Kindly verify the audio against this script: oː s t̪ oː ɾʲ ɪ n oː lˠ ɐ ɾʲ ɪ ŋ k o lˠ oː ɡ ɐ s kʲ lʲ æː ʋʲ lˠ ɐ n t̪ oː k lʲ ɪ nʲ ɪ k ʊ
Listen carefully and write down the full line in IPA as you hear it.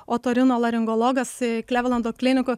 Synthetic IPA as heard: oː t̪ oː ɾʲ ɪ n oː lˠ ɐ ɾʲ ɪ ŋ ɡ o lˠ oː ɡ ɐ s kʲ lʲ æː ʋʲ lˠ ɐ n d̪ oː k lʲ ɪ nʲ ɪ k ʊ